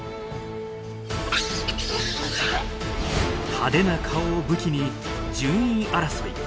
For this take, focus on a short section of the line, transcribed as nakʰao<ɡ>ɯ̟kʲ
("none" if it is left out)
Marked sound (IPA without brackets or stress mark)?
b